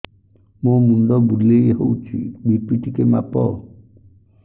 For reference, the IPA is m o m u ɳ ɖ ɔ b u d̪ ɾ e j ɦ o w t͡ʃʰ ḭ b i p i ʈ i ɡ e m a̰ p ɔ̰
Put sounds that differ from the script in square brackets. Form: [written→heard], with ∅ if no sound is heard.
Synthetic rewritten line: m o m u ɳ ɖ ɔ b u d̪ [ɾ→l] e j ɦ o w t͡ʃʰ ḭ b i p i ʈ i [ɡ→k] e m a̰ p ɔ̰